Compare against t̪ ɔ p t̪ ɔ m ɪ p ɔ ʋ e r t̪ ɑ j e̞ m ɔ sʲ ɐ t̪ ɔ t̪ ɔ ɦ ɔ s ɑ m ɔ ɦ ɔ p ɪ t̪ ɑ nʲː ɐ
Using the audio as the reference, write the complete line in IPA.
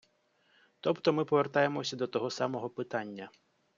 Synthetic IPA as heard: t̪ ɔ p t̪ ɔ m ɪ p ɔ ʋ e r t̪ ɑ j e̞ m ɔ sʲ ɐ d̪ ɔ t̪ ɔ ɦ ɔ s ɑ m ɔ ɦ ɔ p ɪ t̪ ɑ nʲː ɐ